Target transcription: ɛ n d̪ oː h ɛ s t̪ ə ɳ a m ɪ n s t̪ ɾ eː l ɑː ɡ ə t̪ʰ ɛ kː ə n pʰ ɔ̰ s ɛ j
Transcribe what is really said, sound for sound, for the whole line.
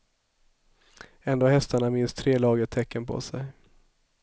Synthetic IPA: ɛ n d̪ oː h ɛ s t̪ a ɳ a m ɪ n s t̪ʰ ɾ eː l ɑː ɡ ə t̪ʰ ɛ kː ə n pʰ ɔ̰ s ɛ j